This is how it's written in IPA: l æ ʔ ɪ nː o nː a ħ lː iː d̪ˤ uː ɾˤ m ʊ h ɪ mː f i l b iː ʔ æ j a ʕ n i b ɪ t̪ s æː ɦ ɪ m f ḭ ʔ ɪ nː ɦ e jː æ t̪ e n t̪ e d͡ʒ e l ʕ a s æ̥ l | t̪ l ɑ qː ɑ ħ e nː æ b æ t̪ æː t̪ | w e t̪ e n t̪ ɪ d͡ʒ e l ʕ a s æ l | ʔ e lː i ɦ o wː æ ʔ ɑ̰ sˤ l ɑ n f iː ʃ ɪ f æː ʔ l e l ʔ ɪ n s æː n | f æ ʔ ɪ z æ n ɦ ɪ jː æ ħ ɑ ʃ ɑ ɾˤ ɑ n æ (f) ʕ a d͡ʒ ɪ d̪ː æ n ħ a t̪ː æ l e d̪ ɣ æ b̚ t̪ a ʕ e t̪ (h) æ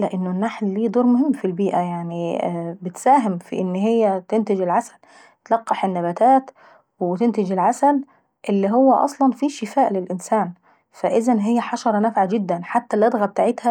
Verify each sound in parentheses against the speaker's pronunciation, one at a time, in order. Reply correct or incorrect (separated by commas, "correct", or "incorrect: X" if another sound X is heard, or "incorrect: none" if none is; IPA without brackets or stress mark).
correct, correct